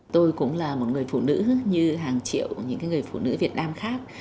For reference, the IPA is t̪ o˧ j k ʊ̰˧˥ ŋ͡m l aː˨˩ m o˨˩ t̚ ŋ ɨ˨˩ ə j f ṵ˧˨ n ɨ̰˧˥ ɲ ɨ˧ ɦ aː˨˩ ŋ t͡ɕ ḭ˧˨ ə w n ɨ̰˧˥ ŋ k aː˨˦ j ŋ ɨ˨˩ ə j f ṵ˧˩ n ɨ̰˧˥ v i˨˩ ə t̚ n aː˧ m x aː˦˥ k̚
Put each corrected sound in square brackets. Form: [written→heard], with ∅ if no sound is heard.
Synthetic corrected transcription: t̪ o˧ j k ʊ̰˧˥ ŋ͡m l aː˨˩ m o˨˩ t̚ ŋ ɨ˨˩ ə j f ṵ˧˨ n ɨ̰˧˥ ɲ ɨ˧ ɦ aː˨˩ ŋ t͡ɕ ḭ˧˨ ə w [n→ɲ] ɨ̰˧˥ ŋ k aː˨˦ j ŋ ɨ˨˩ ə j f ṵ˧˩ n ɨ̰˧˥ v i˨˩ ə t̚ n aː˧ m x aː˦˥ k̚